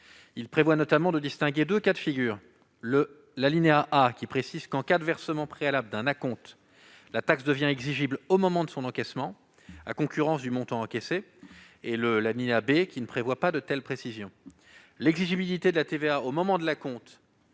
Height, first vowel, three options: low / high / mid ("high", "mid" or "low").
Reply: high